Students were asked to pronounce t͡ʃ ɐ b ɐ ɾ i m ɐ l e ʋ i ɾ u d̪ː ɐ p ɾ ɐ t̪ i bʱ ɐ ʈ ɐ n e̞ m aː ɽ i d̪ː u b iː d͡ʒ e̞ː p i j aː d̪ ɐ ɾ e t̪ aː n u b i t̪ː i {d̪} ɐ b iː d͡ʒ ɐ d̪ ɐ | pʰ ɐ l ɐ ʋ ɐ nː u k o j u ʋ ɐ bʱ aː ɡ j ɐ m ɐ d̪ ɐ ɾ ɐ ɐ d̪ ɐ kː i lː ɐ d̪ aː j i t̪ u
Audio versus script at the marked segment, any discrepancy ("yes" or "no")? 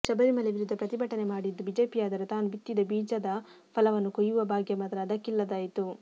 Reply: no